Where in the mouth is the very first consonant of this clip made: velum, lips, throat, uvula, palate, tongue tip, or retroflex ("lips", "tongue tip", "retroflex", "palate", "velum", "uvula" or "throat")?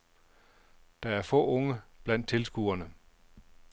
tongue tip